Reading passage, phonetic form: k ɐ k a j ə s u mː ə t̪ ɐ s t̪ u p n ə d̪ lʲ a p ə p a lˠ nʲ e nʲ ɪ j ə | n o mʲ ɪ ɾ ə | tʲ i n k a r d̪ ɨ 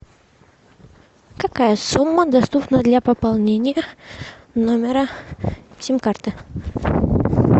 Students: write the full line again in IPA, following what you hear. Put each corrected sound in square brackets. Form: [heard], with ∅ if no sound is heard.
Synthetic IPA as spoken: k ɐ k a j ə s u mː ə [d̪] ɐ s t̪ u p n ə d̪ lʲ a p ə p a lˠ nʲ e nʲ ɪ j ə | n o mʲ ɪ ɾ ə | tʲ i [m] k a r [t̪] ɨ

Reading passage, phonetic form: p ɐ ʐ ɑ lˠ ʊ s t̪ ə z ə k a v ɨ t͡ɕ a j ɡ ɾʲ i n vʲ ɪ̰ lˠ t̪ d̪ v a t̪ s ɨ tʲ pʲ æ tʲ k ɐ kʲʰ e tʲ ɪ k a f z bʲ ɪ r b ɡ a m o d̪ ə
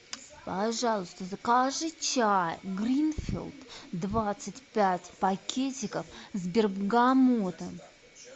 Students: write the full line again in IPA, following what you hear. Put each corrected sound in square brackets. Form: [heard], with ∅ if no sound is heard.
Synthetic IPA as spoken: p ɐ ʐ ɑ lˠ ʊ s t̪ ə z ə k a [ʐ] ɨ t͡ɕ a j ɡ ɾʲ i n [fʲ] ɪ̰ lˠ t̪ d̪ v a t̪ s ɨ tʲ pʲ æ tʲ [p] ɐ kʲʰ e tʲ ɪ k [ə] f z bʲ ɪ r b ɡ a m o [t̪] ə

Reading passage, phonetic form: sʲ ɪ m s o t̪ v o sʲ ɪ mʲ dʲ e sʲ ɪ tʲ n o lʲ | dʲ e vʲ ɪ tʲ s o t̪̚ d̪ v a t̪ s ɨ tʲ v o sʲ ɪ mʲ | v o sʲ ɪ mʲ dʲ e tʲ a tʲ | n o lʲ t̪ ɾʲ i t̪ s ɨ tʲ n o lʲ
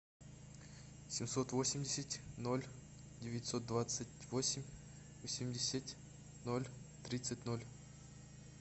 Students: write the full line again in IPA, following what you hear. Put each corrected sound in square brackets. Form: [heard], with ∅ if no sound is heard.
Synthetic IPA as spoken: sʲ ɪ m s o t̪ v o sʲ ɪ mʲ dʲ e sʲ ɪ tʲ n o lʲ | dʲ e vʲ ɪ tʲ s o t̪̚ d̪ v a t̪ s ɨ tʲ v o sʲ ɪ mʲ | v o sʲ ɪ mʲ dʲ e [sʲ] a tʲ | n o lʲ t̪ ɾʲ i t̪ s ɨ tʲ n o lʲ

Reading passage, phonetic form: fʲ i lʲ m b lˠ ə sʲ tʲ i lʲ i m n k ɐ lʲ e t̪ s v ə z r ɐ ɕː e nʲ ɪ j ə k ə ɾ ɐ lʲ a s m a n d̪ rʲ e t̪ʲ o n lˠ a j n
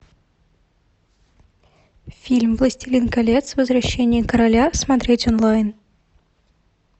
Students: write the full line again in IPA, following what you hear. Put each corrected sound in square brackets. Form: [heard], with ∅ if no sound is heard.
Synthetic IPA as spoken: fʲ i lʲ m [v] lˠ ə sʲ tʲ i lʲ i [∅] n k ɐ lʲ e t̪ s v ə z r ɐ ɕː e nʲ ɪ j ə k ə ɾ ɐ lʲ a s m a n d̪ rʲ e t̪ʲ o n lˠ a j n

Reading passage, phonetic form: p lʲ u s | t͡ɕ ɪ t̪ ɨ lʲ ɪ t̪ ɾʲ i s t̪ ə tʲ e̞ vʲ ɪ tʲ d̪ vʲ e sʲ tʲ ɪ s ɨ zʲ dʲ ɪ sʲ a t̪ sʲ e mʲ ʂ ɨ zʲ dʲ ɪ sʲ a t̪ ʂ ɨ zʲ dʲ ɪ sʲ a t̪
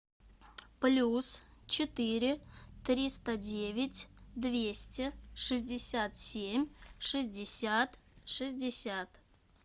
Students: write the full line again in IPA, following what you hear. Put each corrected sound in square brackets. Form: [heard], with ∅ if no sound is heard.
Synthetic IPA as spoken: p lʲ u s | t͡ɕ ɪ t̪ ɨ [ɾʲ] ɪ t̪ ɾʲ i s t̪ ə [dʲ] e̞ vʲ ɪ tʲ d̪ vʲ e sʲ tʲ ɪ [ʂ] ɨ zʲ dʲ ɪ sʲ a t̪ sʲ e mʲ ʂ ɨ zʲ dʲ ɪ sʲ a t̪ ʂ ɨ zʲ dʲ ɪ sʲ a t̪

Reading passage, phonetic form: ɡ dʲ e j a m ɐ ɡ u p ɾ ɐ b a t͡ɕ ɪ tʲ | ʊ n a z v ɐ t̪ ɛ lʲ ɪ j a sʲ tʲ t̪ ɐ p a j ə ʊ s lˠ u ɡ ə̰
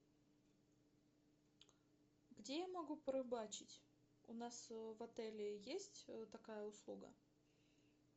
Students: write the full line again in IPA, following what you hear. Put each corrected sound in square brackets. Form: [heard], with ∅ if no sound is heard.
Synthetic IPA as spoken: ɡ dʲ e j a m ɐ ɡ u p ɾ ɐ b a t͡ɕ ɪ tʲ | ʊ n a [s] v ɐ t̪ ɛ lʲ ɪ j [e] sʲ tʲ t̪ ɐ [k] a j ə ʊ s lˠ u ɡ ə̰

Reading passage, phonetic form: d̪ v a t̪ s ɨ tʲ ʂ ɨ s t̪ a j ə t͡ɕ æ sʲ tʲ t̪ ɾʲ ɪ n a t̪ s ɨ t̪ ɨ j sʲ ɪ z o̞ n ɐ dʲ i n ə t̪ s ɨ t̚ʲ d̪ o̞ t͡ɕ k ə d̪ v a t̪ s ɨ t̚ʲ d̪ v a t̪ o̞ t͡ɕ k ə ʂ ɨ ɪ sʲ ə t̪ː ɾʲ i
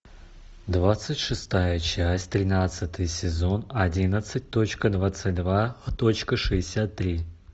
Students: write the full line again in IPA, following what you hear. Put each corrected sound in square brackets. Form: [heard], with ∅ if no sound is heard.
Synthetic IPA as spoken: d̪ v a t̪ s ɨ tʲ ʂ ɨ s t̪ a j ə t͡ɕ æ sʲ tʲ t̪ ɾʲ ɪ n a t̪ s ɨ t̪ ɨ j sʲ ɪ z o̞ n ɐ dʲ i n ə t̪ s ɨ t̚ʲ [t̪] o̞ t͡ɕ k ə d̪ v a t̪ s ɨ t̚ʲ d̪ v a t̪ o̞ t͡ɕ k ə ʂ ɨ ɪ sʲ [a] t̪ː ɾʲ i

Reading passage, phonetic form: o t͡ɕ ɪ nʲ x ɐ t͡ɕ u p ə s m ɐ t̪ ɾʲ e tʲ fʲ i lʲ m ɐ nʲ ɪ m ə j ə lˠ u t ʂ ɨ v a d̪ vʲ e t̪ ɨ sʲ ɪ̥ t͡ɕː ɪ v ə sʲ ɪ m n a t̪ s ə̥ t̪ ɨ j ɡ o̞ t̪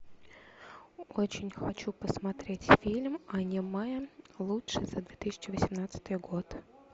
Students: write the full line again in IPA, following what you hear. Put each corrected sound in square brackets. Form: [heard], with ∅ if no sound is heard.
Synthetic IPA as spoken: o t͡ɕ ɪ nʲ x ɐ t͡ɕ u p ə s m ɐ t̪ ɾʲ e tʲ fʲ i lʲ m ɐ nʲ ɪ m [a] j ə lˠ u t ʂ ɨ [z] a d̪ vʲ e t̪ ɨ sʲ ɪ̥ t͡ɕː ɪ v ə sʲ ɪ m n a t̪ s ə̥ t̪ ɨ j ɡ o̞ t̪

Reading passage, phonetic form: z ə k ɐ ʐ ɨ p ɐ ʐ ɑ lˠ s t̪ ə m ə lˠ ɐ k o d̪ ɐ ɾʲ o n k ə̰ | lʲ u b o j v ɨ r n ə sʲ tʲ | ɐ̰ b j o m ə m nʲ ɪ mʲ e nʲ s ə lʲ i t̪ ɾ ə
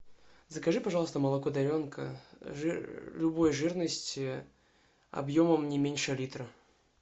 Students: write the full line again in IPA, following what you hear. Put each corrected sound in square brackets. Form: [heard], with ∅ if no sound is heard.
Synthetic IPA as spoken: z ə k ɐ ʐ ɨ p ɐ ʐ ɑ lˠ s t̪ ə m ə lˠ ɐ k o d̪ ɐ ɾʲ o n k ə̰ | lʲ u b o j [ʐ] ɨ r n ə sʲ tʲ | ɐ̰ b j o m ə m nʲ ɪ mʲ e nʲ [ʂ] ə lʲ i t̪ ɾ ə

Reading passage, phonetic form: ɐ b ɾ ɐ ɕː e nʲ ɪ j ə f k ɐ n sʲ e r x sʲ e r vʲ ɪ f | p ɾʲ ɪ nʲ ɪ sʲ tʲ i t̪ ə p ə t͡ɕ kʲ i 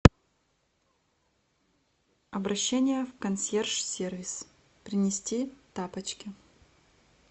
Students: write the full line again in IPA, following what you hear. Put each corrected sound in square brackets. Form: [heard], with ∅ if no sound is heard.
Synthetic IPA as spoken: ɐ b ɾ ɐ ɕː e nʲ ɪ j ə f k ɐ n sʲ e r [ʂ] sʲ e r vʲ ɪ [s] | p ɾʲ ɪ nʲ ɪ sʲ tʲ i t̪ [a] p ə t͡ɕ kʲ [ɪ]

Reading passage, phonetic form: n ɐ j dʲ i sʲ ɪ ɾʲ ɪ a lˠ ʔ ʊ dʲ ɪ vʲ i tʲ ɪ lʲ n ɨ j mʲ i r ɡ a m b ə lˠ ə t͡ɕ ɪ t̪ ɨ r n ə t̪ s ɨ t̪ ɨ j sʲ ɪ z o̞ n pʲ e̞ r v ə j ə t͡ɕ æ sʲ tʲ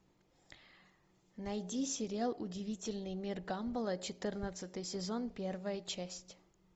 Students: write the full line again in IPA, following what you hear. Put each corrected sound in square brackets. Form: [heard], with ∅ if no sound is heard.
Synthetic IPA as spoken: n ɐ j dʲ i sʲ ɪ ɾʲ ɪ a lˠ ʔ ʊ dʲ ɪ vʲ i tʲ ɪ lʲ n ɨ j mʲ i r ɡ a m b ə lˠ ə t͡ɕ ɪ t̪ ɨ r n ə t̪ s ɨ t̪ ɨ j sʲ ɪ z o̞ n pʲ e̞ r v ə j ə t͡ɕ æ sʲ tʲ

